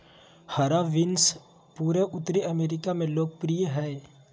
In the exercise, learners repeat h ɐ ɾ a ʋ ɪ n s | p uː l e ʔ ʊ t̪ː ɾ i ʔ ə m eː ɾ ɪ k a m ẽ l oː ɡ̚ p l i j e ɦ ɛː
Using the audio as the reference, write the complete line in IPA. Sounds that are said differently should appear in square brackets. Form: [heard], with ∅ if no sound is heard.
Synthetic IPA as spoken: h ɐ ɾ a ʋ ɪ n s | p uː [ɾ] e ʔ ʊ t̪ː ɾ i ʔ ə m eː ɾ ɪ k a m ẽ l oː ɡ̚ p [ɾ] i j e ɦ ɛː